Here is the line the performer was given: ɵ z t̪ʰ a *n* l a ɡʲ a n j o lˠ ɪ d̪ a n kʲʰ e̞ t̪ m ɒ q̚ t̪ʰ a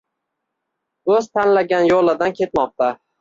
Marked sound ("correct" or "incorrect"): correct